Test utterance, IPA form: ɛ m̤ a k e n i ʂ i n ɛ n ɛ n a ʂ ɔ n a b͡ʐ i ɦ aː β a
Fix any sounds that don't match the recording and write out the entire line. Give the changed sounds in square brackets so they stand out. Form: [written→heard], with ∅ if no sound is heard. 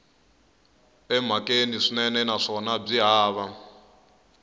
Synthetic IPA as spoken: ɛ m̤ a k e n i ʂ i n ɛ n ɛ n a ʂ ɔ n a b͡ʐ i ɦ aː β a